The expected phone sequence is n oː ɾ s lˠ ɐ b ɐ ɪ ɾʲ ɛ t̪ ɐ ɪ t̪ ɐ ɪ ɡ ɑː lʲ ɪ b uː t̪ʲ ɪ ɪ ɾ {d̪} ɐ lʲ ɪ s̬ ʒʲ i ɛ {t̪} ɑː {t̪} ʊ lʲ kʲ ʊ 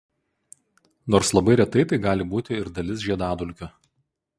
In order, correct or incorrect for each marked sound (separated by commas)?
correct, incorrect, incorrect